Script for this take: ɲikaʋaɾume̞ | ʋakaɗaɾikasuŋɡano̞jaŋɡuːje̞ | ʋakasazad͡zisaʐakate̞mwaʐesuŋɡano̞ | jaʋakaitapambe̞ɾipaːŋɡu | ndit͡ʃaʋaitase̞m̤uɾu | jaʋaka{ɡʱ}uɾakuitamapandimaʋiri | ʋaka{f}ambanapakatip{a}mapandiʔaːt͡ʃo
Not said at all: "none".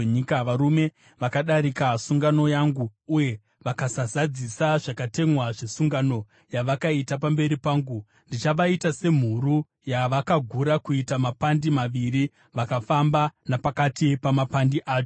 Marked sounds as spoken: ɡʱ, f, a

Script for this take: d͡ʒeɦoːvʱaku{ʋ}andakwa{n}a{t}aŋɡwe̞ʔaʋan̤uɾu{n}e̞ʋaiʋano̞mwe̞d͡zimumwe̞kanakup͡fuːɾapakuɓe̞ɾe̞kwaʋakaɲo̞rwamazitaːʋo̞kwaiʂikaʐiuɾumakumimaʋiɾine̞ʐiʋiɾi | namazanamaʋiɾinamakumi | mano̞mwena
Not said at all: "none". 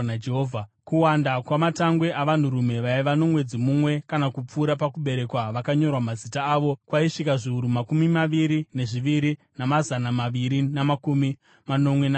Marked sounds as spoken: w, m, t, m

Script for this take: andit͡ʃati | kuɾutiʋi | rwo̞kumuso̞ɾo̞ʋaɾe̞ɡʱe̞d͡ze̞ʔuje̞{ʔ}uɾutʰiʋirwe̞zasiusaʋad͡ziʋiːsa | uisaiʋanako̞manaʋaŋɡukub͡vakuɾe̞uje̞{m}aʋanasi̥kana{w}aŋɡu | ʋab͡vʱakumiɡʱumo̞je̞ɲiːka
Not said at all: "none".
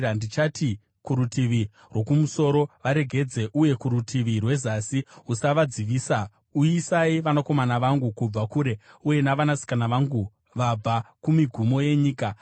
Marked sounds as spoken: k, n, ʋ

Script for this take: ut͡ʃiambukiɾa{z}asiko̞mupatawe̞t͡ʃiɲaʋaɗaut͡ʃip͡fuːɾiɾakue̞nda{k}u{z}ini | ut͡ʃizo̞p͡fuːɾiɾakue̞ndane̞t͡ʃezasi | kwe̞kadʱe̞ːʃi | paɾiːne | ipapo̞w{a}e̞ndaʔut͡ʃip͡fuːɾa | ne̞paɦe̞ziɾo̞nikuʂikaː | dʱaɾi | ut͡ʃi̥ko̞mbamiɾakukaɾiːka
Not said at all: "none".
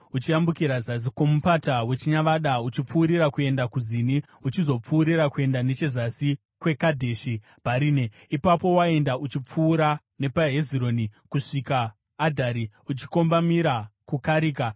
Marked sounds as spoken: z, k, z, a

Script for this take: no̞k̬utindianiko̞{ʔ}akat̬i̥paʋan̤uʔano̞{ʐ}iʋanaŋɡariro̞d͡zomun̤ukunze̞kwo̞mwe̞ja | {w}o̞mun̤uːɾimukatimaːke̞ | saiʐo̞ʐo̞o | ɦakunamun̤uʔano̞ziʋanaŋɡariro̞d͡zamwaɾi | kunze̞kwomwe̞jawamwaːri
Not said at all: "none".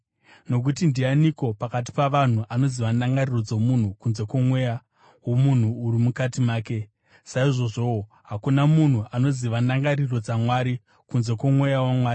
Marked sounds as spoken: p, z, w

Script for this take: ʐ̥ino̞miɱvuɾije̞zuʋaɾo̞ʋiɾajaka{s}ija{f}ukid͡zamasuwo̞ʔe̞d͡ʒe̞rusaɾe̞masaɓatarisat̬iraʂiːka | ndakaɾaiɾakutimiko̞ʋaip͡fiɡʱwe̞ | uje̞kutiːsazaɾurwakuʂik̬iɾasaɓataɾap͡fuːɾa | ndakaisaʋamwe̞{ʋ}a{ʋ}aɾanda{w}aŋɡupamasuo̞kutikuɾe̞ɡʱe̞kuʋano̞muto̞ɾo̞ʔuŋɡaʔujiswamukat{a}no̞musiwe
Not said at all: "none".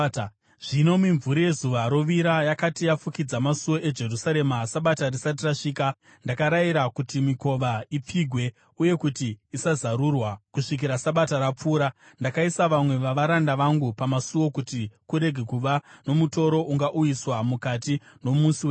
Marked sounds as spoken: t, f, ʋ, ʋ, ʋ, i

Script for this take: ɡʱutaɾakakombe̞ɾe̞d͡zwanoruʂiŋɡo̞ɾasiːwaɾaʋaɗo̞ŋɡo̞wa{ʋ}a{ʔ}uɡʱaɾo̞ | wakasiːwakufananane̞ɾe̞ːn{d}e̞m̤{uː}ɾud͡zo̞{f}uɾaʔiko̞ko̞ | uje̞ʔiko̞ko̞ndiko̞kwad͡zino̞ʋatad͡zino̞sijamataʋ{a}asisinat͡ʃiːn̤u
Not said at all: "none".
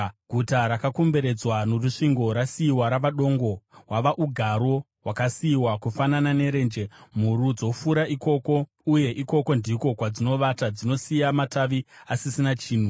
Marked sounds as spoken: ʋ, ʔ, d͡ʒ, u, f, i

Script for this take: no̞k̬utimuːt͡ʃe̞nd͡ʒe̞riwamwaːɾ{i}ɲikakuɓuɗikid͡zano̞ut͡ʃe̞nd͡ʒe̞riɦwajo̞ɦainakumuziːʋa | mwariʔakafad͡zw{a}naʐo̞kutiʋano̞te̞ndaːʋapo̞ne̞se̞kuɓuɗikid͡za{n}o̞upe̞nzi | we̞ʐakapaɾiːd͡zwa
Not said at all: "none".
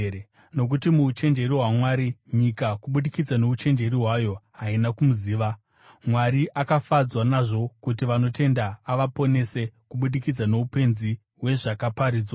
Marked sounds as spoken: i, a, n

